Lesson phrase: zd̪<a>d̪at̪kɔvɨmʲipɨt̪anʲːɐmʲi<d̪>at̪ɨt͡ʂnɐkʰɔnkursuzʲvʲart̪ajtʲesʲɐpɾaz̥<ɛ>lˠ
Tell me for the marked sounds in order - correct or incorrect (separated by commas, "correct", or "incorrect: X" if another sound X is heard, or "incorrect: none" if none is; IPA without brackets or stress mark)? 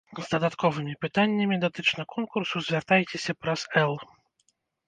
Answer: incorrect: ɐ, correct, correct